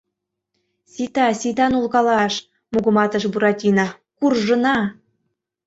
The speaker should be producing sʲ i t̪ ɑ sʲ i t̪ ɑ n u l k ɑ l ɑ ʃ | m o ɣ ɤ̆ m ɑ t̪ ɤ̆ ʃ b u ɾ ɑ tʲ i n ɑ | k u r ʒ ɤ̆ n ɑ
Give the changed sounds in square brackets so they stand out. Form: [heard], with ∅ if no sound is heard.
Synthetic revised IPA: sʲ i t̪ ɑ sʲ i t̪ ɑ n u l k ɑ l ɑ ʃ | m [u] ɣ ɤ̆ m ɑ t̪ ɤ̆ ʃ b u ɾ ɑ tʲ i n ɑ | k u r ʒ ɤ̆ n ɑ